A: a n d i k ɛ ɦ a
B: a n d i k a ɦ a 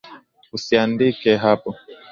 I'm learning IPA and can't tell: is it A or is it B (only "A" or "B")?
A